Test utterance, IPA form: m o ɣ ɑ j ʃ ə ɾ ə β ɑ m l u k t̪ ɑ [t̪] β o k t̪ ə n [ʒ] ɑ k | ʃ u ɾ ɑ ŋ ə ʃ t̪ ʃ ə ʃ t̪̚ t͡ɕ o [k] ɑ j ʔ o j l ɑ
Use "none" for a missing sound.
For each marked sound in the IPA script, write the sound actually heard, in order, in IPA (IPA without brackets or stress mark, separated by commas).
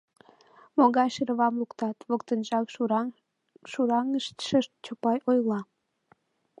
t̪, ʒ, p